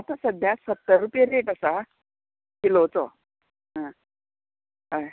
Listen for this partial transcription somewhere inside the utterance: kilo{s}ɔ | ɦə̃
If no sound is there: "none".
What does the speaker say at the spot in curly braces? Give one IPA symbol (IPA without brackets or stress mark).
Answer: t͡s